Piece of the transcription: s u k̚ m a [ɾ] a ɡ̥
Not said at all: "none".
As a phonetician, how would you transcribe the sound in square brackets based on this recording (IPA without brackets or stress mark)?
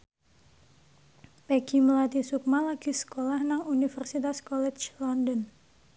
l